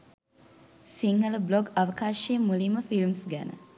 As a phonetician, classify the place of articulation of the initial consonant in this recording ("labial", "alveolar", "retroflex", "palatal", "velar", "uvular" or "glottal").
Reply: alveolar